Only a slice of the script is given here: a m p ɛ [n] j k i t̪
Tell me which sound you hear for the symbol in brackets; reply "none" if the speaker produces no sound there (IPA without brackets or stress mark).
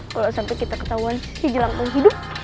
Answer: none